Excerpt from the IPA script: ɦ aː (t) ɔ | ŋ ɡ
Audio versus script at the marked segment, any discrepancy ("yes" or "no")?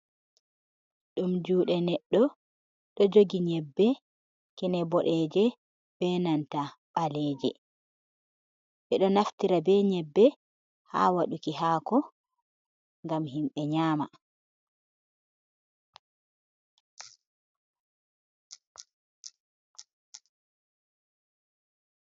yes